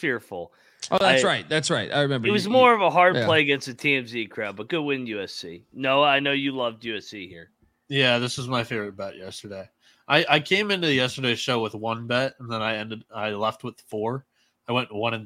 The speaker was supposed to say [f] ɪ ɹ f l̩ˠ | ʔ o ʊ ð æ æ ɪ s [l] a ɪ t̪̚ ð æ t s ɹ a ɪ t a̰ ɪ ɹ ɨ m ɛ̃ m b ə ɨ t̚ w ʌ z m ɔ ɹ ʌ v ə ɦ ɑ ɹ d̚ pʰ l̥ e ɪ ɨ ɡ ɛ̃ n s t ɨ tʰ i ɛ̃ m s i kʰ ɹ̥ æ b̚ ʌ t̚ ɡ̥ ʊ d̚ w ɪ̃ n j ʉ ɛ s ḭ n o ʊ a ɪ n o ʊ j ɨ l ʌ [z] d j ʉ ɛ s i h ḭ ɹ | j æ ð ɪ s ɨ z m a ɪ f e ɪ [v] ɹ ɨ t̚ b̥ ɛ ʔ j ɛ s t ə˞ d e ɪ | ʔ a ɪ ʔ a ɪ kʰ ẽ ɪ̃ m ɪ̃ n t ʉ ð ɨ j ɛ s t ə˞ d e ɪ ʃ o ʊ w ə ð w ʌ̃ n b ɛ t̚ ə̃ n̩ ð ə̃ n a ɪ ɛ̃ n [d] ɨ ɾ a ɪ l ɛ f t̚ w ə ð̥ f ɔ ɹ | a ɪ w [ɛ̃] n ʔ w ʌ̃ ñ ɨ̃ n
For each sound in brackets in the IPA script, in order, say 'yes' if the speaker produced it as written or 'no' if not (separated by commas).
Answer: yes, no, no, yes, yes, yes